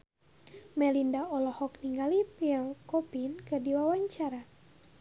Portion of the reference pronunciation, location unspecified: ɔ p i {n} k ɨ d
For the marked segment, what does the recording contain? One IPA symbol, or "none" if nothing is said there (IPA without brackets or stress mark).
n